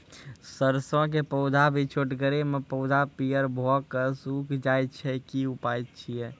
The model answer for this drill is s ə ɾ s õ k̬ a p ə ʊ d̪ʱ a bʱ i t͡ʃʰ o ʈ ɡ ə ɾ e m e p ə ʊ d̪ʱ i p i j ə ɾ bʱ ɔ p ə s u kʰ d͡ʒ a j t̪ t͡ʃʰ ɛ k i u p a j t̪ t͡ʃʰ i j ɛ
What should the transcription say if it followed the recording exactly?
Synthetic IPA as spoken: s ə ɾ s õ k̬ e p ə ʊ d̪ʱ a bʱ i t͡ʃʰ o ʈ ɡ ə ɾ e m e p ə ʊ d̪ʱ a p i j ə ɾ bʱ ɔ k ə s u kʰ d͡ʒ a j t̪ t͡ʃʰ ɛ k i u p a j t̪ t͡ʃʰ i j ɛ

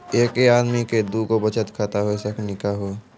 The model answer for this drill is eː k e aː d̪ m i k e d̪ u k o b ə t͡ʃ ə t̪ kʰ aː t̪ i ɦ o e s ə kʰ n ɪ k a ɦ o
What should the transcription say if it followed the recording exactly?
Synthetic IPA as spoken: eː k e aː d̪ m i k e d̪ u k o b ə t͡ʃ ə t̪ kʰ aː t̪ a ɦ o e s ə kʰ n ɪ k a ɦ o

